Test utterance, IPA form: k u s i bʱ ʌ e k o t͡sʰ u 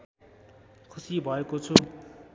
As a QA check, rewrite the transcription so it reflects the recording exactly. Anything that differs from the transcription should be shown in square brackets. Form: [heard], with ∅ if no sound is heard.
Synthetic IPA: [kʰ] u s i bʱ ʌ e k o t͡sʰ u